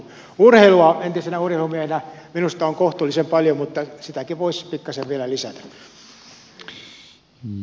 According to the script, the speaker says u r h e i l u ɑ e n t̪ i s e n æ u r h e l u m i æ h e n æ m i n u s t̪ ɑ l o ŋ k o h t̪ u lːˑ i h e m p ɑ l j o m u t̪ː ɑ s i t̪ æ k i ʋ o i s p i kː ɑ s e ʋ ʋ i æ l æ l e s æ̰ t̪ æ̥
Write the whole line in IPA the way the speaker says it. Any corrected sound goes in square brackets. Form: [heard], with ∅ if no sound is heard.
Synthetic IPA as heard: u r h e i l u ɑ e n t̪ i s e n æ u r h e l u m i æ h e n æ m i n u s t̪ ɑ [∅] o ŋ k o h t̪ u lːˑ i [s] e m p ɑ l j o m u t̪ː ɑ s i t̪ æ k i ʋ o i s p i kː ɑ s e ʋ ʋ i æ l æ l [i] s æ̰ t̪ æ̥